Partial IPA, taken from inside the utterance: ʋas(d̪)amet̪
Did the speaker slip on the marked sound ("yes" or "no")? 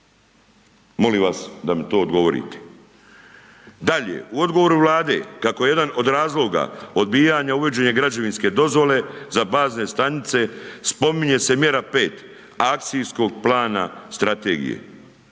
no